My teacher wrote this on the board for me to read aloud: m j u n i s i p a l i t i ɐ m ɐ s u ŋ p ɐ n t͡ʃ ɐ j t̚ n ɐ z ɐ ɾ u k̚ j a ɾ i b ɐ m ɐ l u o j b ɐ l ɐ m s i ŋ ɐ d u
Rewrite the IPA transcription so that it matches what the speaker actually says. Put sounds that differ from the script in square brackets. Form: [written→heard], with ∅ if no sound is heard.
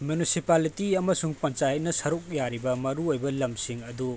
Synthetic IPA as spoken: m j u n i s i p a l i t i ɐ m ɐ s u ŋ p ɐ n t͡ʃ [ɐ→a] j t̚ n ɐ [z→s] ɐ ɾ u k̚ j a ɾ i b ɐ m ɐ [l→ɾ] u o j b ɐ l ɐ m s i ŋ ɐ d u

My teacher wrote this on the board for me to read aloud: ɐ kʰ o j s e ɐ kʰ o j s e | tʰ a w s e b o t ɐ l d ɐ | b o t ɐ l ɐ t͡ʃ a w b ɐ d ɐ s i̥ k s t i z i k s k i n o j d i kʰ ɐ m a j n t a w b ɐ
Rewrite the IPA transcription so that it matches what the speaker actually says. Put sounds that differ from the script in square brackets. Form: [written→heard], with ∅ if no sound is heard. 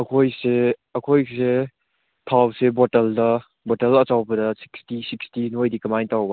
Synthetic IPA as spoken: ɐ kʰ o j s e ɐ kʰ o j s e | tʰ a w s e b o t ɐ l d ɐ | b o t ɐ l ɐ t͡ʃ a w b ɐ d ɐ s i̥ k s t i [z→s] i k s [k→t] i n o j d i [kʰ→k] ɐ m a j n t a w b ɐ

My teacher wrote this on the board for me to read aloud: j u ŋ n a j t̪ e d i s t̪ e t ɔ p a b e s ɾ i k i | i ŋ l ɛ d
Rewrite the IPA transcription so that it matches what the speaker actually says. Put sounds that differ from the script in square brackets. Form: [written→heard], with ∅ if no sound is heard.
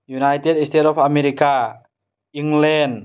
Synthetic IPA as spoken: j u [ŋ→∅] n a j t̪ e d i s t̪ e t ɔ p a [b→m] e [s→∅] ɾ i k [i→a] | i ŋ l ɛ [d→n]

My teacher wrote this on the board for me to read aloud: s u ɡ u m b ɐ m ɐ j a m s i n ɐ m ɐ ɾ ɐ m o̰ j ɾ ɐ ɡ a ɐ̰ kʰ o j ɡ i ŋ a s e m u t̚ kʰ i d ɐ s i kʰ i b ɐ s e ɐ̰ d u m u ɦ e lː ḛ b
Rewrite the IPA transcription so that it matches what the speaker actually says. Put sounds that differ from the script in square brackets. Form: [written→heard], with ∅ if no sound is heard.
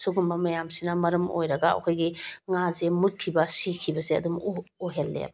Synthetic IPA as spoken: s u ɡ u m b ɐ m ɐ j a m s i n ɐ m ɐ ɾ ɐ m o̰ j ɾ ɐ ɡ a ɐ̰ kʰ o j ɡ i ŋ a [s→z] e m u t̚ kʰ i [d→b] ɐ s i kʰ i b ɐ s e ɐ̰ d u m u ɦ e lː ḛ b

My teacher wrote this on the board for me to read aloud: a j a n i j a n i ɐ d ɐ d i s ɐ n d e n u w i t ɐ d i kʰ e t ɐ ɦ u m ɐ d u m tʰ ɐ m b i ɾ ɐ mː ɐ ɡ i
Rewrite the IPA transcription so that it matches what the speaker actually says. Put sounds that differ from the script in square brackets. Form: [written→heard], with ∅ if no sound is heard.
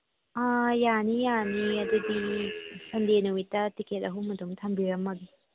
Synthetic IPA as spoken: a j a n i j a n i ɐ d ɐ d i s ɐ n d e n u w i t ɐ [d→t] i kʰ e t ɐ ɦ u m ɐ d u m tʰ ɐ m b i ɾ ɐ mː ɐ ɡ i

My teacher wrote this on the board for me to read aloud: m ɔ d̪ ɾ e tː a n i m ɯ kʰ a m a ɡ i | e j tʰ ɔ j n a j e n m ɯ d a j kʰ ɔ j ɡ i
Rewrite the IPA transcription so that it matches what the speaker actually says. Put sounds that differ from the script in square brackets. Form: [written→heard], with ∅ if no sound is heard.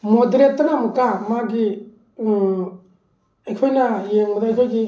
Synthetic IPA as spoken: m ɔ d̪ ɾ e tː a n [i→a] m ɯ [kʰ→k] a m a ɡ i | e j [tʰ→kʰ] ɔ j n a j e [n→ŋ] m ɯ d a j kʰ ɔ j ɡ i

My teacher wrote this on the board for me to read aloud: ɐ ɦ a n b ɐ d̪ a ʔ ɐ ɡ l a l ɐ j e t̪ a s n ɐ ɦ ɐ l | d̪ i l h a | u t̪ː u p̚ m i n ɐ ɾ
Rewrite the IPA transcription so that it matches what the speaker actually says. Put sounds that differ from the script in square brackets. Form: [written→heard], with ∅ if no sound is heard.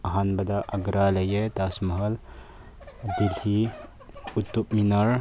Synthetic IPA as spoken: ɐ ɦ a n b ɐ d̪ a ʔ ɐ ɡ [l→ɾ] a l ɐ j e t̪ a s [n→m] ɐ ɦ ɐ l | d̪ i l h [a→i] | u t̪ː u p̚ m i n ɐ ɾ

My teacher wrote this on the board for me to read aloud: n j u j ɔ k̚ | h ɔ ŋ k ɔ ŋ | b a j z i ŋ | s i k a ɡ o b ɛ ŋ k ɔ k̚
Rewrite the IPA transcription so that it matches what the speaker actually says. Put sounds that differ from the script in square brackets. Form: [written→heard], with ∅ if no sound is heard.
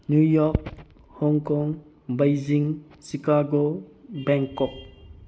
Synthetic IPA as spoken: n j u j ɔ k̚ | h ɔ ŋ k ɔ ŋ | b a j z i ŋ | s i k a ɡ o b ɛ ŋ k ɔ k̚

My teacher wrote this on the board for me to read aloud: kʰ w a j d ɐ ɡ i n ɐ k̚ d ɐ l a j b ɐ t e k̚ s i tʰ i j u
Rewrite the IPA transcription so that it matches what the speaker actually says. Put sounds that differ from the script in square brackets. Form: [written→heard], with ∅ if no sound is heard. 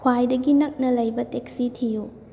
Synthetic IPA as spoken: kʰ w a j d ɐ ɡ i n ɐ k̚ [d→n] ɐ l [a→ɐ] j b ɐ t e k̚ s i tʰ i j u

